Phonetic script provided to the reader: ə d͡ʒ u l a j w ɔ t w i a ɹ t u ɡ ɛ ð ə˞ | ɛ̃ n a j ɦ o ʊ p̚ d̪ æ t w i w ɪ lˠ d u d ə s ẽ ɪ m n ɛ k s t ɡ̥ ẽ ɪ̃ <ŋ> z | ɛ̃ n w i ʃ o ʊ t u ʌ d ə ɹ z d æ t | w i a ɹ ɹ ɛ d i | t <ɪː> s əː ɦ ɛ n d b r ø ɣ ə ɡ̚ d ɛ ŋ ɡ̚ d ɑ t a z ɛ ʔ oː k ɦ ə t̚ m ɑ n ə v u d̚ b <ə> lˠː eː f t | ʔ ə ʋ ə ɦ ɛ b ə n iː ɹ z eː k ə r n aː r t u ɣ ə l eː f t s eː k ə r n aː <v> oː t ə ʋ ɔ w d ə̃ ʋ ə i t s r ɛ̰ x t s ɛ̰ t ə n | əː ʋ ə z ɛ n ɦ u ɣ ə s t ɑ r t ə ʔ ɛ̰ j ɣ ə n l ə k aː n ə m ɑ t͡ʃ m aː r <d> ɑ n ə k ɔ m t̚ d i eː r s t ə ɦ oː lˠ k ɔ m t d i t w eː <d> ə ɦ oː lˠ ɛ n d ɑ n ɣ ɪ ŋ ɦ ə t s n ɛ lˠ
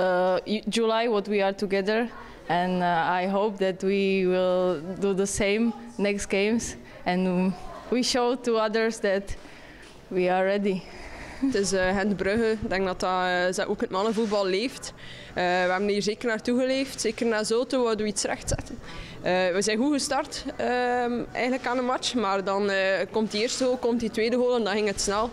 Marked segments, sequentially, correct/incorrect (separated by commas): incorrect, incorrect, incorrect, incorrect, correct, correct